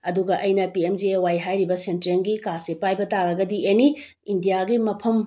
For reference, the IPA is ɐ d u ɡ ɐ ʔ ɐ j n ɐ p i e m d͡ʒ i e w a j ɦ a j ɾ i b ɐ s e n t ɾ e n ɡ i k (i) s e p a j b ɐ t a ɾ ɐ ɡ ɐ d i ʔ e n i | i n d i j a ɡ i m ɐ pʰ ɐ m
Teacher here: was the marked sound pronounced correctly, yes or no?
no